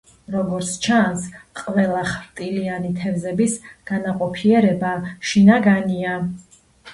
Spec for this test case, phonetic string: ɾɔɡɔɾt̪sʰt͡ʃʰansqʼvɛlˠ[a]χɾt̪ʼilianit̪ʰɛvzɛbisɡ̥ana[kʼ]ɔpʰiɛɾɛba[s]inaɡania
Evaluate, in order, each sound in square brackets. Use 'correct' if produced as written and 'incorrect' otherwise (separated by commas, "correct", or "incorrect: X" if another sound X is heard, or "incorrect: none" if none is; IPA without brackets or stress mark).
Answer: correct, incorrect: qʼ, incorrect: ʃ